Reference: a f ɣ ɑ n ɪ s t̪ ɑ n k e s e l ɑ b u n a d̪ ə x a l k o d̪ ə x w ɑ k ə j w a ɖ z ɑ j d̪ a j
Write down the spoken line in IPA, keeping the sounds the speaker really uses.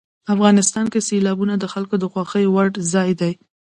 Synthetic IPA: a f ɣ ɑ n ɪ s t̪ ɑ n k e s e l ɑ b u n a d̪ ə x a l k o d̪ ə x w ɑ x ə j w a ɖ z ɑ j d̪ a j